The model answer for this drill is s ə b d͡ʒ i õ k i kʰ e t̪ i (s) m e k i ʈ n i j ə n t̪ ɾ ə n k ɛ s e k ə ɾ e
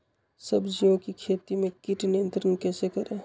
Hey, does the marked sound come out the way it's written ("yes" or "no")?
no